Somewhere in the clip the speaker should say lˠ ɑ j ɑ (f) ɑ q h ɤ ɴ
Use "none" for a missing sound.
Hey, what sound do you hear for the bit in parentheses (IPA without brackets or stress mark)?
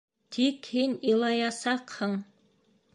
s